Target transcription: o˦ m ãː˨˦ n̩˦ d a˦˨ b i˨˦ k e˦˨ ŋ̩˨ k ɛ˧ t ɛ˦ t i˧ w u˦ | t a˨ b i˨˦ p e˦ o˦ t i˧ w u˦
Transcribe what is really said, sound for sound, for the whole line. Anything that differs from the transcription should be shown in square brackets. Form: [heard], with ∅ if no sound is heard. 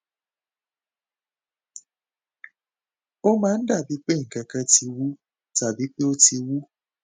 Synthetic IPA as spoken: o˦ m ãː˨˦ n̩˦ d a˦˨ b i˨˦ [k͡p] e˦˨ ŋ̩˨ k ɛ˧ [k] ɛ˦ t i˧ w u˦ | t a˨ b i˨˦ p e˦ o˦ t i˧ w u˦